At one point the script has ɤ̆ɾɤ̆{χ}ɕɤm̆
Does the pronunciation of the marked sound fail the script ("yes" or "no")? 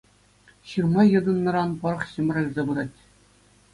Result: no